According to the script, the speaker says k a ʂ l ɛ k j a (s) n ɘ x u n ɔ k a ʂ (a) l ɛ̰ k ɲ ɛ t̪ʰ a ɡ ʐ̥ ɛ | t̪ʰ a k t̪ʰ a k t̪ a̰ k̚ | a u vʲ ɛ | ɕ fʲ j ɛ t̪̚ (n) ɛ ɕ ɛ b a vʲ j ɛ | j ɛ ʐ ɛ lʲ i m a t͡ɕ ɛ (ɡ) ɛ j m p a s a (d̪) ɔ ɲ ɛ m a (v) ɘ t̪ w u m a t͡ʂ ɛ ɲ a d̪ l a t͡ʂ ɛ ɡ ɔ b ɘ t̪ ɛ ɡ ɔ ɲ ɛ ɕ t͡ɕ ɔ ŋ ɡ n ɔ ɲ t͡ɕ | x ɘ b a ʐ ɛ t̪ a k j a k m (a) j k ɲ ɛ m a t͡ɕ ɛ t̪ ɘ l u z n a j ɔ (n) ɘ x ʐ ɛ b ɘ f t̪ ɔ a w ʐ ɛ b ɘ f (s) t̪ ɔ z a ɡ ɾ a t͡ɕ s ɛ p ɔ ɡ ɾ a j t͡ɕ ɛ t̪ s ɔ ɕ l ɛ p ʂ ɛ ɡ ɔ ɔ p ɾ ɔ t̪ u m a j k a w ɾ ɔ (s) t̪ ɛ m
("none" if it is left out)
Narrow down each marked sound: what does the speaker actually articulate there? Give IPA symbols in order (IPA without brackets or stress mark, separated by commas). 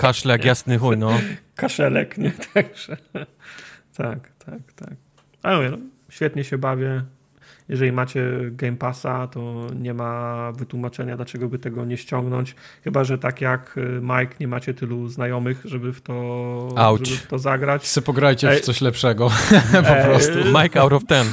s, ɛ, ɲ, ɡ, t̪, v, a, m, t, f